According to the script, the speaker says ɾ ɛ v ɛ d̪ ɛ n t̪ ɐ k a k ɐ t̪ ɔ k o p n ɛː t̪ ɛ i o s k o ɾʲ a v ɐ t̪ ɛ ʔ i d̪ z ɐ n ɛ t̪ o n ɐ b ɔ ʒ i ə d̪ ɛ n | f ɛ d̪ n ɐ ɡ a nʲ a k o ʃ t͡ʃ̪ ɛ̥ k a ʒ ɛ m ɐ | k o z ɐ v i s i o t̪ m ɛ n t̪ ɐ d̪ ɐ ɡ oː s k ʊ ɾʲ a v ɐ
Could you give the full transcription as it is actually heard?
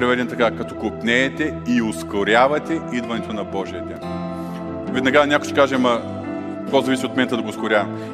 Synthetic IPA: ɾ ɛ v ɛ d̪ ɛ n t̪ ɐ k a k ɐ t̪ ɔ k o p n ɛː t̪ ɛ i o s k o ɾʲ a v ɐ t̪ ɛ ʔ i d̪ v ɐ n ɛ t̪ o n ɐ b ɔ ʒ i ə d̪ ɛ n | v ɛ d̪ n ɐ ɡ a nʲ a k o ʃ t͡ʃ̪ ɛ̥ k a ʒ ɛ m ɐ | k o z ɐ v i s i o t̪ m ɛ n t̪ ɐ d̪ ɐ ɡ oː s k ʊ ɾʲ a v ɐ